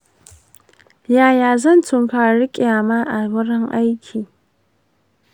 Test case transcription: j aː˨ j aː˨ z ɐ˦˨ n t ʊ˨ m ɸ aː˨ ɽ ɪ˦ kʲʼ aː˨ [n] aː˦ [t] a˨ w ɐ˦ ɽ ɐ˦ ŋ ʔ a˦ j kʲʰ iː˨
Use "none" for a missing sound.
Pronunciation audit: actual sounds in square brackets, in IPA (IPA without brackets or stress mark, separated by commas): m, ʔ